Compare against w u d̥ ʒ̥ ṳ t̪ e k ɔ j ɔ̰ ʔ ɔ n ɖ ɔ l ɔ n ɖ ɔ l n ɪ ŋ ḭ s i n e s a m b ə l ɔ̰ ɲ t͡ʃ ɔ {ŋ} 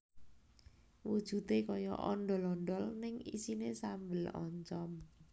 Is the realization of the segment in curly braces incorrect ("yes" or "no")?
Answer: yes